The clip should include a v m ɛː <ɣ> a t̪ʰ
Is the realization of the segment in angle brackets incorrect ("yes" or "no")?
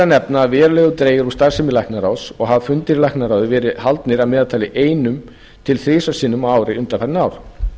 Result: yes